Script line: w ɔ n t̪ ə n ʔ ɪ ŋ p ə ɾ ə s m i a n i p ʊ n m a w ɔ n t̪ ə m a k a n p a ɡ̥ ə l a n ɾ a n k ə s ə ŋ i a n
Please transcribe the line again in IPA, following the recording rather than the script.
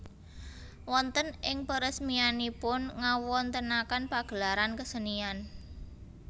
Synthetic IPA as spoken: w ɔ n t̪ ə n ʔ ɪ ŋ p ə ɾ ə s m i a n i p ʊ n ŋ a w ɔ n t̪ ə n a k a n p a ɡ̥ ə l a ɾ a n k ə s ə n i a n